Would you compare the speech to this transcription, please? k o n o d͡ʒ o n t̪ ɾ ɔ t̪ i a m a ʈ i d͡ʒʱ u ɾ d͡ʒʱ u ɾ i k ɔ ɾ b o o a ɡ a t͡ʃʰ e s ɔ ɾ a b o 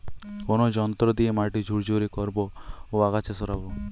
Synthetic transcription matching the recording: k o n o d͡ʒ ɔ n t̪ ɾ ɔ d̪ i e m a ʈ i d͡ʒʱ u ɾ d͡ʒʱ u ɾ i k ɔ ɾ b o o a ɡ a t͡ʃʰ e s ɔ ɾ a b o